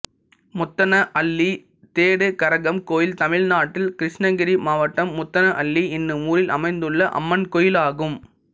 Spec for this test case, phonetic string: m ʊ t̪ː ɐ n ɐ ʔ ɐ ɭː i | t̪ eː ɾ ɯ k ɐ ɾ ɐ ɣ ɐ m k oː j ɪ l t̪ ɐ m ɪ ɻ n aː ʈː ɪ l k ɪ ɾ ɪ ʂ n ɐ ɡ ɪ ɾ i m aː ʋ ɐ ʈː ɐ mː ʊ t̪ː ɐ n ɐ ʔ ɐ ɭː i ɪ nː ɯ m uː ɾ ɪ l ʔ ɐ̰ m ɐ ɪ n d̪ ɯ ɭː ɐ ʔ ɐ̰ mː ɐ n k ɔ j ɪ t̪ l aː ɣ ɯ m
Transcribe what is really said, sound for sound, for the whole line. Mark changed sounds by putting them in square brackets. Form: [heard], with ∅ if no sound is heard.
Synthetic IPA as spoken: m ʊ t̪ː ɐ n ɐ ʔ ɐ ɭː i | t̪ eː [ɽ] ɯ k ɐ ɾ ɐ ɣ ɐ m k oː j ɪ l t̪ ɐ m ɪ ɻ n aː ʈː ɪ l k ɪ ɾ ɪ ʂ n ɐ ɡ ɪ ɾ i m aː ʋ ɐ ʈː ɐ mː ʊ t̪ː ɐ n ɐ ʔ ɐ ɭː i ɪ nː ɯ m uː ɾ ɪ l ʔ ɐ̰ m ɐ ɪ n d̪ ɯ ɭː ɐ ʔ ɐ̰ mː ɐ n k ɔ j ɪ [∅] l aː ɣ ɯ m